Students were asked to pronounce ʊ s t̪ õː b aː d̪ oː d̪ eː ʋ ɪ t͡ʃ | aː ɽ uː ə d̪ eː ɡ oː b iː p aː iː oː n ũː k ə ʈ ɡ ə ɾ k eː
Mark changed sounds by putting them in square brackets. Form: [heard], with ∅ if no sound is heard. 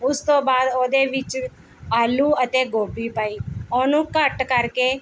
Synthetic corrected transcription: ʊ s t̪ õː b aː d̪ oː d̪ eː ʋ ɪ t͡ʃ | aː [l] uː ə [t̪] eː ɡ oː b iː p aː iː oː n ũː k ə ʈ [k] ə ɾ k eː